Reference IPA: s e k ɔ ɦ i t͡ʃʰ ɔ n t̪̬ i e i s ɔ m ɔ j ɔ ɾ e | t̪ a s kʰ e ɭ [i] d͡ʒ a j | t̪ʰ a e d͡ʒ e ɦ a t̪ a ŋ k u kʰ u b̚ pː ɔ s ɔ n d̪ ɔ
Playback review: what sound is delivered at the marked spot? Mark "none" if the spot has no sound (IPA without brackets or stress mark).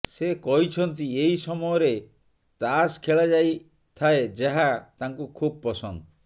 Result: a